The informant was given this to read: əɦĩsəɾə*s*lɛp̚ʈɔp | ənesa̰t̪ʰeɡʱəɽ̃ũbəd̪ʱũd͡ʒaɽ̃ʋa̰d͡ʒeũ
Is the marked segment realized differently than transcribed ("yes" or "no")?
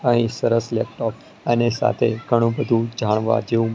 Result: no